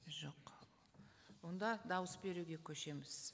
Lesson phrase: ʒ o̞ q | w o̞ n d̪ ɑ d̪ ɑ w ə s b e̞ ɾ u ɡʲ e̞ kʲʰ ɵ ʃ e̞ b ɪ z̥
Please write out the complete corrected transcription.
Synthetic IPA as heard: ʒ o̞ q | w o̞ n d̪ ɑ d̪ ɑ w ə s b e̞ ɾ u ɡʲ e̞ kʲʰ ɵ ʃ e̞ m ɪ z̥